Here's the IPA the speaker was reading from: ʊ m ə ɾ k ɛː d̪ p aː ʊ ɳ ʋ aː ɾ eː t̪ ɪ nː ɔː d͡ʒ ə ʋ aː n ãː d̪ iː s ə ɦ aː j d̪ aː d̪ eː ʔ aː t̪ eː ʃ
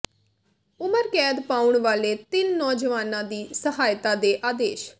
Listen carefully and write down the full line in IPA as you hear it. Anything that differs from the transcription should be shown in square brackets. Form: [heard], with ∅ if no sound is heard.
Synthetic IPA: ʊ m ə ɾ k ɛː d̪ p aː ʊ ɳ ʋ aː [l] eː t̪ ɪ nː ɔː d͡ʒ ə ʋ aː n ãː d̪ iː s ə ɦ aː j [t̪] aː d̪ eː ʔ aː [d̪] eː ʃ